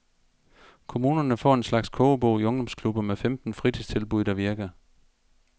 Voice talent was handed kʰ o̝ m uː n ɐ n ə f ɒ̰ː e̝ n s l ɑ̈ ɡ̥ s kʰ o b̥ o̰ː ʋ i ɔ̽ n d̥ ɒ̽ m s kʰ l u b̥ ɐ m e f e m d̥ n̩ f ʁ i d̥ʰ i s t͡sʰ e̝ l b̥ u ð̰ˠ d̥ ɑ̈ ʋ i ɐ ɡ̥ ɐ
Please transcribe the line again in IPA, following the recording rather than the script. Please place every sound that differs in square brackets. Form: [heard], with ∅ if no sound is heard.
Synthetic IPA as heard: kʰ o̝ m uː n ɐ n ə f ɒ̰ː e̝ n s l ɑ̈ ɡ̥ s kʰ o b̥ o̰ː [∅] i ɔ̽ [ŋ] d̥ ɒ̽ m s kʰ l u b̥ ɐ m e f e m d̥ n̩ f ʁ i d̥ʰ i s t͡sʰ e̝ l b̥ u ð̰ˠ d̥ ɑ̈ ʋ i ɐ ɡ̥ ɐ